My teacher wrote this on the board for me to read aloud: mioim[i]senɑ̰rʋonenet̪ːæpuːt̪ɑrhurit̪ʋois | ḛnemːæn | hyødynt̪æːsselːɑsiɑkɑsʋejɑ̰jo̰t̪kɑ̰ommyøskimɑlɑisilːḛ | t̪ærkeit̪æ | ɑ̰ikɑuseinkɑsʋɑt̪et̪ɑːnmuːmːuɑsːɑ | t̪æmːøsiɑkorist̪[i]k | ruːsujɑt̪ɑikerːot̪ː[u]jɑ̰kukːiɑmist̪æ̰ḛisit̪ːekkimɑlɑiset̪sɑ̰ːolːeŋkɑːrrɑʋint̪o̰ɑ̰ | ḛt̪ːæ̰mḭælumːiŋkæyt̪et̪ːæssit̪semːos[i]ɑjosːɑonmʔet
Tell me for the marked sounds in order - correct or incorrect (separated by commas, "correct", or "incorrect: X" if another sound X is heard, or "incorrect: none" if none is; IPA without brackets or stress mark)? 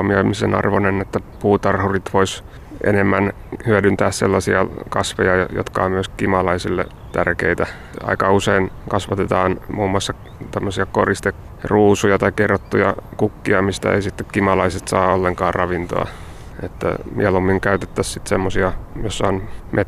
correct, incorrect: e, correct, correct